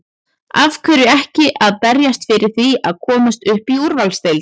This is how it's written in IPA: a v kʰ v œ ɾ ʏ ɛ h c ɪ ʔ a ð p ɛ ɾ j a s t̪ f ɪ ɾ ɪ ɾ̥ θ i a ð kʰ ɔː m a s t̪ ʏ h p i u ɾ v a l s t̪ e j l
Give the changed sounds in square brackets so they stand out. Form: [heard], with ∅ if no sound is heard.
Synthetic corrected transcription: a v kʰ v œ ɾ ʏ ɛ h c ɪ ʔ a ð p ɛ ɾ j a s t̪ f ɪ ɾ ɪ ɾ̥ θ i a ð kʰ ɔː m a s t̪ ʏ h p i u ɾ v a l s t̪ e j l